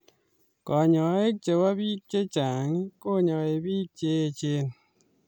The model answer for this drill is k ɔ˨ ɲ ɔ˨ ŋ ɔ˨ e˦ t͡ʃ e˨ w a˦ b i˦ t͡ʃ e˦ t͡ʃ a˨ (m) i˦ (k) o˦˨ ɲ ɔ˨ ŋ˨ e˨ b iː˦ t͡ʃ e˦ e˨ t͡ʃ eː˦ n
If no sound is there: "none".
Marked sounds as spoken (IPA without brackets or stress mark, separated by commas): ŋ, k